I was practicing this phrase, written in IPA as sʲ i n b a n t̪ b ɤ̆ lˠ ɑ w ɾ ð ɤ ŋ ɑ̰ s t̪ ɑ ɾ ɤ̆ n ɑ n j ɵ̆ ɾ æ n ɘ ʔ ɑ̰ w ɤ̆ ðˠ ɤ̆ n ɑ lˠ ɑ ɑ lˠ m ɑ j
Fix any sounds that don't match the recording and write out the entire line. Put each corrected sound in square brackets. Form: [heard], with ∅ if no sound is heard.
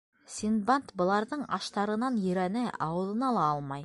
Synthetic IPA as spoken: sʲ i n b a n t̪ b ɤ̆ lˠ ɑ [∅] ɾ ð ɤ [ɴ] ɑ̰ [ʃ] t̪ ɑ ɾ ɤ̆ n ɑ n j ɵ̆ ɾ æ n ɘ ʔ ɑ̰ w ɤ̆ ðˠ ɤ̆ n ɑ lˠ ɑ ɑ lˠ m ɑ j